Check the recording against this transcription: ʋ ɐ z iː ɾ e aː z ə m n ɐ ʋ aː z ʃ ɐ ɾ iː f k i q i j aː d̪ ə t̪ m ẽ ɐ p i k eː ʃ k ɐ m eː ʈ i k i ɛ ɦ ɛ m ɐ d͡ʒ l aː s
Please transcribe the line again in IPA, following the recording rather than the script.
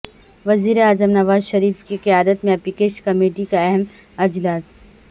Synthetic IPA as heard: ʋ ɐ z iː ɾ e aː z ə m n ɐ ʋ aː z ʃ ɐ ɾ iː f k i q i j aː d̪ ə t̪ m ẽ ɐ p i k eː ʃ k ɐ m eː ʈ i k a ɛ ɦ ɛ m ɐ d͡ʒ l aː s